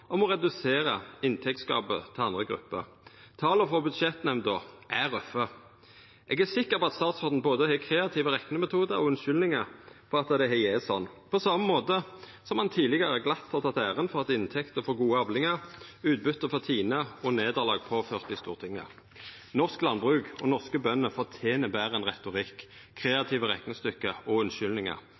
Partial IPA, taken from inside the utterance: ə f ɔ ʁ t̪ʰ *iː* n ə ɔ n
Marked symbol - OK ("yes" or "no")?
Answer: yes